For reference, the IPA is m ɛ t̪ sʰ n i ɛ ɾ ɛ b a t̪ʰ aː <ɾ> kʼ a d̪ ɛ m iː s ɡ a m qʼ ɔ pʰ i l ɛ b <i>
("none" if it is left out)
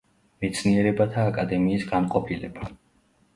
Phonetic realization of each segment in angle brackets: none, a

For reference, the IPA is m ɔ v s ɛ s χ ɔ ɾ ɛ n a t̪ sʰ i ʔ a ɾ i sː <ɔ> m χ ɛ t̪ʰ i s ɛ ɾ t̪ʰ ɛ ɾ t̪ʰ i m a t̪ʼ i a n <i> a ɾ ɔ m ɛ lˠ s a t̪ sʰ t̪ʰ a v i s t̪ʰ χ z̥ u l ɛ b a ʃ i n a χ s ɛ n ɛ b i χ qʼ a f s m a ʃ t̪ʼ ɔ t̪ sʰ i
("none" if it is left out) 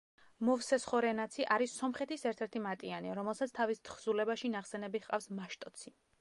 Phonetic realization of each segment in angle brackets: ɔ, i

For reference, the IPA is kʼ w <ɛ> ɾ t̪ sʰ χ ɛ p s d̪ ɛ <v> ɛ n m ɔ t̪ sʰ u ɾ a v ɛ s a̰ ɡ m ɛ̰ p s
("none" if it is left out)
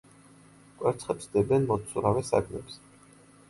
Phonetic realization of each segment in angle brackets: ɛ, b

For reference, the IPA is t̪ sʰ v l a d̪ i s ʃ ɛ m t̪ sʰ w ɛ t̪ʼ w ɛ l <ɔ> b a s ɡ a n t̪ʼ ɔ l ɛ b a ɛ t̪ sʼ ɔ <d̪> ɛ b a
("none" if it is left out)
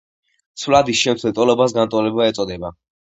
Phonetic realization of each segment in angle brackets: ɔ, d̪

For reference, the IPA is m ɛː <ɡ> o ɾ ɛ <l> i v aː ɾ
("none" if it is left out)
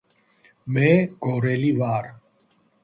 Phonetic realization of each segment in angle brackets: ɡ, l

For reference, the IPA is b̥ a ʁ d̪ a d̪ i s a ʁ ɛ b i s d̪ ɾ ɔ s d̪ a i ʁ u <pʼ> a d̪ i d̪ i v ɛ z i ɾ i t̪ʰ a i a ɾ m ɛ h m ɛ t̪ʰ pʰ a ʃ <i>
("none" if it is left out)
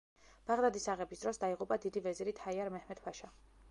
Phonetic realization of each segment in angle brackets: pʼ, a

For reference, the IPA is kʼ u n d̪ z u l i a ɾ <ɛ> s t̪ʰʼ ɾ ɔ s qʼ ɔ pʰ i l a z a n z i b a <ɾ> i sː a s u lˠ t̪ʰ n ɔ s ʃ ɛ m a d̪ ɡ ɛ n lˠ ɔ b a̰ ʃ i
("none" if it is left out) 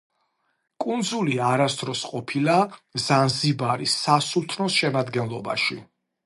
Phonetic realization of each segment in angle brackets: a, ɾ

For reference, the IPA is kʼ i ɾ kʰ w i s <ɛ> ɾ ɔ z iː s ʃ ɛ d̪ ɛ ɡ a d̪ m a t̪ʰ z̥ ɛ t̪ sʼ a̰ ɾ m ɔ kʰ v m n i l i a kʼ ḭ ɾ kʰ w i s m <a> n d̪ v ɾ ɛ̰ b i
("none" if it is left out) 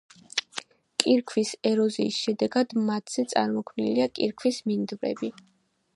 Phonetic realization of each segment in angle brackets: ɛ, i

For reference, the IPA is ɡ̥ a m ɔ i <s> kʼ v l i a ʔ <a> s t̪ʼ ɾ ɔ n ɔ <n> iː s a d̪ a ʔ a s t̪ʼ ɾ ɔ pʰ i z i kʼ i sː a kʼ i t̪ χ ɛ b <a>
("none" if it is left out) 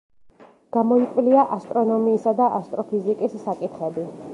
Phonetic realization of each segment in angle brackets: none, a, m, i

